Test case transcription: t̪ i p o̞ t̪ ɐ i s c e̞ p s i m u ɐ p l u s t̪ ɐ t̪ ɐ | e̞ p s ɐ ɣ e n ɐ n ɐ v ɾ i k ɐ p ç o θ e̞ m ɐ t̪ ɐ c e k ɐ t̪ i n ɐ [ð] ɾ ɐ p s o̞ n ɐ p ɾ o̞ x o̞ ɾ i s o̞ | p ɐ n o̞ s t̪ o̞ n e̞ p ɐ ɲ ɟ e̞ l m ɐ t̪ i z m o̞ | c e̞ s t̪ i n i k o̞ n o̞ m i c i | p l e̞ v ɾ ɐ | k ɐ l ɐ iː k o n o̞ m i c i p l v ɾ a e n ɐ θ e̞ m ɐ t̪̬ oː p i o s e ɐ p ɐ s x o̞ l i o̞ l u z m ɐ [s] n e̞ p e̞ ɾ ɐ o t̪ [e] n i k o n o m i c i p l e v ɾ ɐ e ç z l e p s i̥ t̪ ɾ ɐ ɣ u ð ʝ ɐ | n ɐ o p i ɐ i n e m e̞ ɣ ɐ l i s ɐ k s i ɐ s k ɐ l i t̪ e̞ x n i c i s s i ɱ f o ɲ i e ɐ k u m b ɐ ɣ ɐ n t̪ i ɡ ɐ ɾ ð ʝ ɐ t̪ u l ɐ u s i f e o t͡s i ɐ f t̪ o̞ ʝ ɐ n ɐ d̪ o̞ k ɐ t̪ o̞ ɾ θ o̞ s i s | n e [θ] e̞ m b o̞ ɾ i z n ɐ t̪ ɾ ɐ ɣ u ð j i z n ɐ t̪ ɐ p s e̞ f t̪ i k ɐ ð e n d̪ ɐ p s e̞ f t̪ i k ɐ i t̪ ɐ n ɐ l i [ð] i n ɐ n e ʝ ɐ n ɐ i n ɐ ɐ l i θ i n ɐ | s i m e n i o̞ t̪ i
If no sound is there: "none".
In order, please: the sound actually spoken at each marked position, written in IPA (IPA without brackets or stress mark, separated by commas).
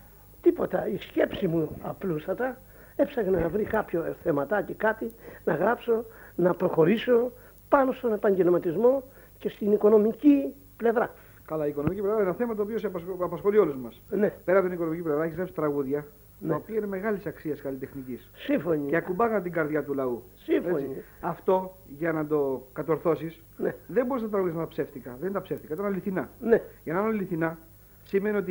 ɣ, s, i, ð, θ